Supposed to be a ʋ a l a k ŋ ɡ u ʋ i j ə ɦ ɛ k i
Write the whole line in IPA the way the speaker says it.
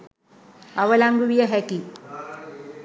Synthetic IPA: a ʋ ə l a ŋ ɡ u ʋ i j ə ɦ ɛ k i